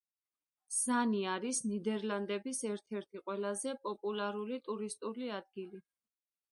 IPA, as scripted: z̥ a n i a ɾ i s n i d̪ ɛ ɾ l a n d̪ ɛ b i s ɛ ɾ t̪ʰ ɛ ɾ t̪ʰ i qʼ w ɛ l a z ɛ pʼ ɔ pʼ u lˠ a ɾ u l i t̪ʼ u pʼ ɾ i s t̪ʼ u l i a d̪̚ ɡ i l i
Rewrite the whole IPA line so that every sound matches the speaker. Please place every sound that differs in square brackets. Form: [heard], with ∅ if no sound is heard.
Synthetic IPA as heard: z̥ a n i a ɾ i s n i d̪ ɛ ɾ l a n d̪ ɛ b i s ɛ ɾ t̪ʰ ɛ ɾ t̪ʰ i qʼ w ɛ l a z ɛ pʼ ɔ pʼ u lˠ a ɾ u l i t̪ʼ u [∅] ɾ i s t̪ʼ u l i a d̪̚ ɡ i l i